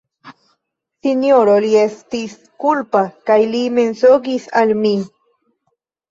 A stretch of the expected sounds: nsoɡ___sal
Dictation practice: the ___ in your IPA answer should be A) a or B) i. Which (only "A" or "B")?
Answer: B